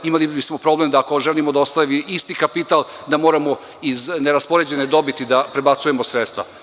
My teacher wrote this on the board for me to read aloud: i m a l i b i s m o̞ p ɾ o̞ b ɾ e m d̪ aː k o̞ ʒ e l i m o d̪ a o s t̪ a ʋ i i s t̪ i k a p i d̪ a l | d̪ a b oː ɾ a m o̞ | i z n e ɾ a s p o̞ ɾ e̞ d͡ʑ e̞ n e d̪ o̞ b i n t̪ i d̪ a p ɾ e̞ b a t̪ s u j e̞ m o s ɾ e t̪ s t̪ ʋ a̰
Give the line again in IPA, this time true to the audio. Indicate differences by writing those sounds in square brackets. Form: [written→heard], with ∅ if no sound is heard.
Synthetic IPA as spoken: i m a l i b i s m o̞ p ɾ o̞ b [ɾ→l] e m d̪ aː k o̞ ʒ e l i m o d̪ a o s t̪ a ʋ i i s t̪ i k a p i [d̪→t̪] a l | d̪ a [b→m] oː ɾ a m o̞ | i z n e ɾ a s p o̞ ɾ e̞ d͡ʑ e̞ n e d̪ o̞ b i [n→∅] t̪ i d̪ a p ɾ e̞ b a t̪ s u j e̞ m o s ɾ e t̪ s t̪ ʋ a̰

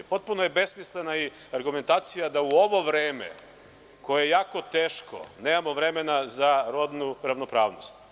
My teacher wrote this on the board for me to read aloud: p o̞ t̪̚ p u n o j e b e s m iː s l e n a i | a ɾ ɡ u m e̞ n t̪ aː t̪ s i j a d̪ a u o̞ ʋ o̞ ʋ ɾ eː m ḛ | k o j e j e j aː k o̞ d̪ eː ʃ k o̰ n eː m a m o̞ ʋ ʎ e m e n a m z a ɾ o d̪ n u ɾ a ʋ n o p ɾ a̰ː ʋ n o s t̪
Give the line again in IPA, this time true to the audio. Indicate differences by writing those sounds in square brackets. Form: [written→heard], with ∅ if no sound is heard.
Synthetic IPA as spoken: p o̞ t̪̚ p u n o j e b e s m [iː→i] s l e n a i | a ɾ ɡ u m e̞ n t̪ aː t̪ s i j a d̪ a u o̞ ʋ o̞ ʋ ɾ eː m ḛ | k o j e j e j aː k o̞ [d̪→t̪] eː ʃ k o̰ n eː m a m o̞ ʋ [ʎ→ɾ] e m e n a [m→∅] z a ɾ o d̪ n u ɾ a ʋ n o p ɾ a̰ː ʋ n o s t̪

